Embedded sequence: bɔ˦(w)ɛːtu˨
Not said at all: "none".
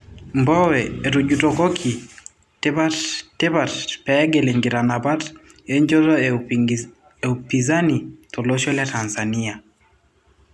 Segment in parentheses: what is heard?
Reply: w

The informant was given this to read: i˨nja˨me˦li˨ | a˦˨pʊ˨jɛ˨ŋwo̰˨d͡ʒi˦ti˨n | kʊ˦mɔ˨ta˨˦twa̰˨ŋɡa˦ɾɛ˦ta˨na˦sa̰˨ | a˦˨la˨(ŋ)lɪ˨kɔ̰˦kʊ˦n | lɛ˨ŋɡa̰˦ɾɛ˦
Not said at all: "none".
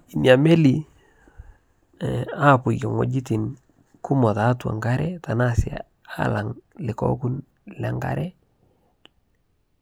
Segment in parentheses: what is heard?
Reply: ŋ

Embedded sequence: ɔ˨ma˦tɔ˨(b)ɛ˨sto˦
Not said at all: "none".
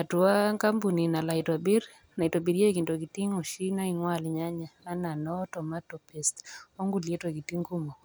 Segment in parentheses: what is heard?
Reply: p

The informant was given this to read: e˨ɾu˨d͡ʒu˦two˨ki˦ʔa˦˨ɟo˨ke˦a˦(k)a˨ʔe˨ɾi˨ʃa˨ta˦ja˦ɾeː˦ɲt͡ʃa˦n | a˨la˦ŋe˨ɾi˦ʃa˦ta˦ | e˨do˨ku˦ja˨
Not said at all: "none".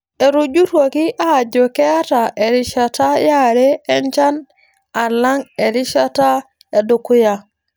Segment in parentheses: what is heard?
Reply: t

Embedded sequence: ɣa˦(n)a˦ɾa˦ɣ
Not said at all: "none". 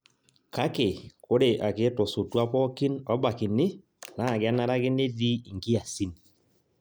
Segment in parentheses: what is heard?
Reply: n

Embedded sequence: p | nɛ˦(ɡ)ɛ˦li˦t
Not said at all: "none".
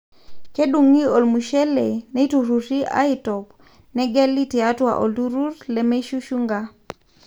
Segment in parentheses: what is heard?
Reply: ɡ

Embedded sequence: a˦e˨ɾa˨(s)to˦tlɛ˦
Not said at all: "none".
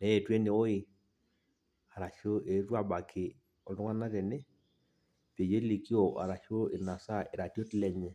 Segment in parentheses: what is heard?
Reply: none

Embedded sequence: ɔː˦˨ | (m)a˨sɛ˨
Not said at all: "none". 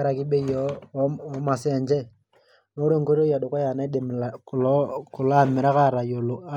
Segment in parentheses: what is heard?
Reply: m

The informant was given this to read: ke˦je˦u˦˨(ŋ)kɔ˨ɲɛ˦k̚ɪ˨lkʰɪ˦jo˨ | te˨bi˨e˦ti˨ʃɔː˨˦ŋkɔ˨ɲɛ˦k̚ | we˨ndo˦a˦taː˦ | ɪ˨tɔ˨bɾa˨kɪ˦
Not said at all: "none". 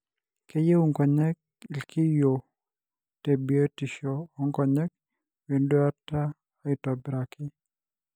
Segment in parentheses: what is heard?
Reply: ŋ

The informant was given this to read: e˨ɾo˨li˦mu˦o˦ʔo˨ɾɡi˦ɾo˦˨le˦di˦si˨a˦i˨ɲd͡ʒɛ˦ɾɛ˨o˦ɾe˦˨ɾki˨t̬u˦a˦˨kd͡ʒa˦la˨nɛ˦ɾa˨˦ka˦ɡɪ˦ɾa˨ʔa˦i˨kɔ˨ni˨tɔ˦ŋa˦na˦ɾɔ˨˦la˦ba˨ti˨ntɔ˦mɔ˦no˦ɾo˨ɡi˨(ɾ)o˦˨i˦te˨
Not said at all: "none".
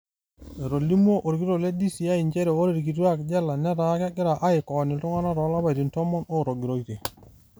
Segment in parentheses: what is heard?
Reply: ɾ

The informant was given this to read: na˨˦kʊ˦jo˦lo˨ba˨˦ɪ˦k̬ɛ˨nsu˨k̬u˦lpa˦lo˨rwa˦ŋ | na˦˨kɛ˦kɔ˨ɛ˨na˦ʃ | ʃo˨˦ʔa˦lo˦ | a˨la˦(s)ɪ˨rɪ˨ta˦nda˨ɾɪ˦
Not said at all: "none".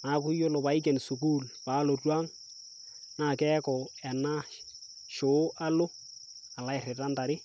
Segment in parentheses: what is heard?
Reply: none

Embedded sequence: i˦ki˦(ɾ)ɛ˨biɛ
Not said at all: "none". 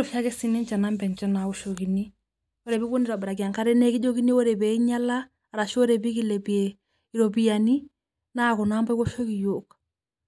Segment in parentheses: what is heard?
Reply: l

